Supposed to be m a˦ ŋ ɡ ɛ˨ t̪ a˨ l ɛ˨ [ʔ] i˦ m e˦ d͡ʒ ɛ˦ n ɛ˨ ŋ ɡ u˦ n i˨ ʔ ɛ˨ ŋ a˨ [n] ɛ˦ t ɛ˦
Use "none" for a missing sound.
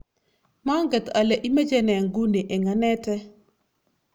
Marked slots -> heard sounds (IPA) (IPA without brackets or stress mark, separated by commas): ʔ, n